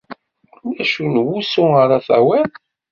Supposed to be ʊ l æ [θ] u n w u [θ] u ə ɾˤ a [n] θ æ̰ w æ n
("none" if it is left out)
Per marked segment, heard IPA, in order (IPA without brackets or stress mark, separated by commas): ʃ, s, none